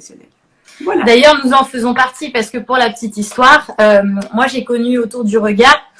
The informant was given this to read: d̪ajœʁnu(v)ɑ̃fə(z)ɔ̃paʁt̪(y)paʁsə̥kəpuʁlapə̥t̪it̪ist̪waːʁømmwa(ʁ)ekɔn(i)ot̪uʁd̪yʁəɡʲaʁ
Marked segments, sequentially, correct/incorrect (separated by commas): incorrect, correct, incorrect, incorrect, incorrect